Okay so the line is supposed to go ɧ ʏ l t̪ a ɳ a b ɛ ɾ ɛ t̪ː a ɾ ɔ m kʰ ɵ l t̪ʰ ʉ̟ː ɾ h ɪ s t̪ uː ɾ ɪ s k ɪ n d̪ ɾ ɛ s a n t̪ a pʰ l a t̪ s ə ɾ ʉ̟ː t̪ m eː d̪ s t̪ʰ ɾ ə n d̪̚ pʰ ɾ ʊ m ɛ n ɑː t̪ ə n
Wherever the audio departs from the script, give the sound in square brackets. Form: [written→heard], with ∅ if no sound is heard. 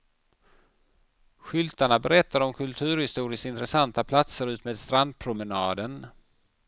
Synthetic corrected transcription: ɧ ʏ l t̪ a ɳ a b ɛ ɾ ɛ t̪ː a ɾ ɔ m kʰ ɵ l t̪ʰ ʉ̟ː ɾ h ɪ s t̪ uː ɾ ɪ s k ɪ n [d̪→t̪] ɾ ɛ s a n t̪ a pʰ l a t̪ s ə ɾ ʉ̟ː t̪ m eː d̪ s [t̪ʰ→t̪] ɾ [ə→a] n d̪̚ pʰ ɾ ʊ m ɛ n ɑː [t̪→d̪] ə n